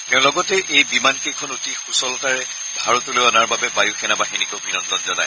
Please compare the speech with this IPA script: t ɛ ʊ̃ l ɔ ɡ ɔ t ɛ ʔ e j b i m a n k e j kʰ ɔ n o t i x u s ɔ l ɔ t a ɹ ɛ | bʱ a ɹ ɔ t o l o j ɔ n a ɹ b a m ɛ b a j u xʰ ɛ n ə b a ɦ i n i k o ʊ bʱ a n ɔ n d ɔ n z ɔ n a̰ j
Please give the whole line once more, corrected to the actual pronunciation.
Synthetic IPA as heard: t ɛ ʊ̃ l ɔ ɡ ɔ t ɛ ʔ e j b i m a n k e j kʰ ɔ n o t i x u s ɔ l ɔ t a ɹ ɛ | bʱ a ɹ ɔ t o l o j ɔ n a ɹ b a b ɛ b a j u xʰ ɛ n a b a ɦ i n i k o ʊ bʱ i n ɔ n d ɔ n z ɔ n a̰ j

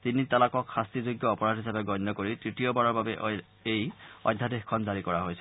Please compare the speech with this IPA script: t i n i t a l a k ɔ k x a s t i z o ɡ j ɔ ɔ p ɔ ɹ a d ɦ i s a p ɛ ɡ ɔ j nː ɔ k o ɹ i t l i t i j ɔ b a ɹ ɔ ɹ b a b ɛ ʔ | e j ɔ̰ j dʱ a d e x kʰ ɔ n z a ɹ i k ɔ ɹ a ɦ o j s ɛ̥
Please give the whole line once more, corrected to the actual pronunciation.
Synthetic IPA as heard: t i n i t a l a k ɔ k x a s t i z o ɡ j ɔ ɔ p ɔ ɹ a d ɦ i s a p ɛ ɡ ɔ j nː ɔ k o ɹ i t ɹ i t i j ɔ b a ɹ ɔ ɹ b a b ɛ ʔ | e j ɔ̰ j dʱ a d e x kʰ ɔ n z a ɹ i k ɔ ɹ a ɦ o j s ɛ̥

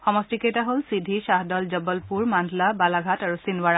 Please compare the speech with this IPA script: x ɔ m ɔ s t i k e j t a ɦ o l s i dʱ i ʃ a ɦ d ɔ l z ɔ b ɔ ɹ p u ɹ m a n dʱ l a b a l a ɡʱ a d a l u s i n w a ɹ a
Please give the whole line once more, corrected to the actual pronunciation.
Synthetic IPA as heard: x ɔ m ɔ s t i k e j t a ɦ o l s i dʱ i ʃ a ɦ d ɔ l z ɔ b ɔ l p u ɹ m a n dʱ l a b a l a ɡʱ a t a ɹ u s i n w a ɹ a

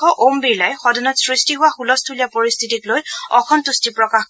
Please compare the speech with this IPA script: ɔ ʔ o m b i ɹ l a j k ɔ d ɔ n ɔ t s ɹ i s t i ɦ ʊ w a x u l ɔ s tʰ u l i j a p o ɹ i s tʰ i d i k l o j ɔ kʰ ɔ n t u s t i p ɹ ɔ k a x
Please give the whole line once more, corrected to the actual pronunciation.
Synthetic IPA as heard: ɔ ʔ o m b i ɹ l a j x ɔ d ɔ n ɔ t s ɹ i s t i ɦ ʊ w a x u l ɔ s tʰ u l i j a p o ɹ i s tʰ i t i k l o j ɔ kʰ ɔ n t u s t i p ɹ ɔ k a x

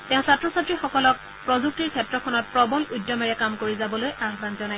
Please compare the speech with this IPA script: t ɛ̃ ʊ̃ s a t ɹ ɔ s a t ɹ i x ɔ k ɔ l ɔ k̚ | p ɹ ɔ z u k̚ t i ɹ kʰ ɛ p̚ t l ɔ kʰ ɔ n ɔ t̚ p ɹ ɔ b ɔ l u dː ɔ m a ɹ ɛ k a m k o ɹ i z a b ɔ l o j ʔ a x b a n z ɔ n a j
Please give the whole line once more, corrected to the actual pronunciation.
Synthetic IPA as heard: t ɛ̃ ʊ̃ s a t ɹ ɔ s a t ɹ i x ɔ k ɔ l ɔ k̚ | p ɹ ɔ z u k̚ t i ɹ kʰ ɛ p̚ t ɹ ɔ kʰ ɔ n ɔ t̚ p ɹ ɔ b ɔ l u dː ɔ m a ɹ ɛ k a m k o ɹ i z a b ɔ l o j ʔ a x b a n z ɔ n a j

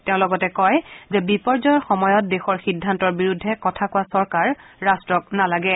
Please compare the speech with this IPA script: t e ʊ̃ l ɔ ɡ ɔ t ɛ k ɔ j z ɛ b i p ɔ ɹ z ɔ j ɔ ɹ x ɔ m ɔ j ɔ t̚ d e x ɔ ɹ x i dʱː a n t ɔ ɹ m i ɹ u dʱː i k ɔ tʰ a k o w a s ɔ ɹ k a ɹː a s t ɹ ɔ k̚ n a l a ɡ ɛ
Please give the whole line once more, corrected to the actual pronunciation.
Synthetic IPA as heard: t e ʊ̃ l ɔ ɡ ɔ t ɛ k ɔ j z ɛ b i p ɔ ɹ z ɔ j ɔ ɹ x ɔ m ɔ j ɔ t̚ d e x ɔ ɹ x i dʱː a n t ɔ ɹ b i ɹ u dʱː ɛ k ɔ tʰ a k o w a s ɔ ɹ k a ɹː a s t ɹ ɔ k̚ n a l a ɡ ɛ

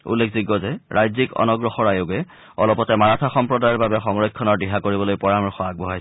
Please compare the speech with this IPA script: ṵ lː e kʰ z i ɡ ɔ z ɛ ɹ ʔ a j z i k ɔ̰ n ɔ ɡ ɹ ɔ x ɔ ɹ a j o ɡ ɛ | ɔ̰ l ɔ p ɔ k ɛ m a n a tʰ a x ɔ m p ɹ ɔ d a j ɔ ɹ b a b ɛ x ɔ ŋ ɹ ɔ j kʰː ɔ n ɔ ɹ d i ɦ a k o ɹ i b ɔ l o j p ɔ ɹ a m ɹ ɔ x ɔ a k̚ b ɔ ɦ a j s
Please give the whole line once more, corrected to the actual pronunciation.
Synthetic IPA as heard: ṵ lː e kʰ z i ɡ ɔ z ɛ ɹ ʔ a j z i k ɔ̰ n ɔ ɡ ɹ ɔ x ɔ ɹ a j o ɡ ɛ | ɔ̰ l ɔ p ɔ t ɛ m a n a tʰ a x ɔ m p ɹ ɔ d a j ɔ ɹ b a b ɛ x ɔ ŋ ɹ ɔ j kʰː ɔ n ɔ ɹ d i ɦ a k o ɹ i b ɔ l o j p ɔ ɹ a m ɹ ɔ x ɔ a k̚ b ɔ ɦ a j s

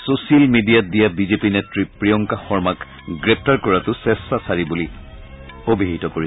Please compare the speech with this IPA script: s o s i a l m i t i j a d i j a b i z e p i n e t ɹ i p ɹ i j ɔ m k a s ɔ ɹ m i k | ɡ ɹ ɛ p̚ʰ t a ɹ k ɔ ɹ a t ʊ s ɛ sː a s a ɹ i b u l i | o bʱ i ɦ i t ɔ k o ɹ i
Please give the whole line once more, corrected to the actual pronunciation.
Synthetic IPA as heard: s o s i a l m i d i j a d i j a b i z e p i n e t ɹ i p ɹ i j ɔ ŋ k a x ɔ ɹ m a k | ɡ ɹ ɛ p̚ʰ t a ɹ k ɔ ɹ a t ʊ s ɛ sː a s a ɹ i b u l i | o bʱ i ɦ i t ɔ k o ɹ i

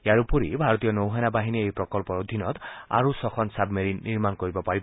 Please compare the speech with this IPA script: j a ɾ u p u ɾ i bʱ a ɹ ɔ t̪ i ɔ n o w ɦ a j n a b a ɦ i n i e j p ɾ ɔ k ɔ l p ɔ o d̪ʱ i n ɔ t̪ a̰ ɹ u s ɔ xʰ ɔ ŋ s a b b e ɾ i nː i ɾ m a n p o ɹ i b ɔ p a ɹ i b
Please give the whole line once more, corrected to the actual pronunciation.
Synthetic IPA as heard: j a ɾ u p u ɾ i bʱ a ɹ ɔ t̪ i ɔ n o w ɦ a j n a b a ɦ i n i e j p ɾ ɔ k ɔ l p ɔ o d̪ʱ i n ɔ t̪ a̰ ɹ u s ɔ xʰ ɔ n s a b m e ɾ i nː i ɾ m a n k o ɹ i b ɔ p a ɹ i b

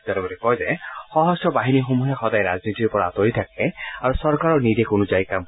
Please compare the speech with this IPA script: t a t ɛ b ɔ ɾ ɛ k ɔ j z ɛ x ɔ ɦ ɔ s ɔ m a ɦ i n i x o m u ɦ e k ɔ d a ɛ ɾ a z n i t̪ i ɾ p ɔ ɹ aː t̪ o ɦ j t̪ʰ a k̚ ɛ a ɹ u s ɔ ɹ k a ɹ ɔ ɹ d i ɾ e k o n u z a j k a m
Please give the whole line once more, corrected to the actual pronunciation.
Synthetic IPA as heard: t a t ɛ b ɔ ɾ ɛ k ɔ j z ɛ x ɔ ɦ ɔ s ɔ b a ɦ i n i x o m u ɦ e x ɔ d a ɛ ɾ a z n i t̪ i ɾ p ɔ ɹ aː t̪ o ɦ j t̪ʰ a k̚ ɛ a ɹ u s ɔ ɹ k a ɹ ɔ ɹ n i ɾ e k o n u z a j k a m

